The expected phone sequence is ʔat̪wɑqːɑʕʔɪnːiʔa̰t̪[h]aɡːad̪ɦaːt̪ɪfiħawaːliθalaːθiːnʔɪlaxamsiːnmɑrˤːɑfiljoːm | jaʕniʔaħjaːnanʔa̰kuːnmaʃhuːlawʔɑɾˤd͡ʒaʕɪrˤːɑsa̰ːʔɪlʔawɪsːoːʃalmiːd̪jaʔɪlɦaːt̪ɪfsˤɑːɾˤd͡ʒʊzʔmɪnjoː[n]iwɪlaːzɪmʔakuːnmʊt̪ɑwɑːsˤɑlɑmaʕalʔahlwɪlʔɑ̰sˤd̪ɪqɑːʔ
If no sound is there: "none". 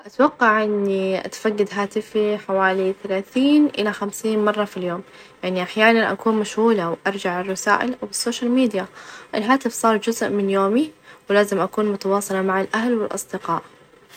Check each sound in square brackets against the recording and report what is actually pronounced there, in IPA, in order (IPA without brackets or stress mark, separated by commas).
f, m